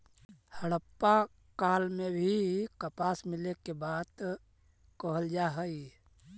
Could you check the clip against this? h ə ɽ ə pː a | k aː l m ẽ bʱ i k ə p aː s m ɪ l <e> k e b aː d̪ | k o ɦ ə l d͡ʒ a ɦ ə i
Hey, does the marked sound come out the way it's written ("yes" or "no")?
yes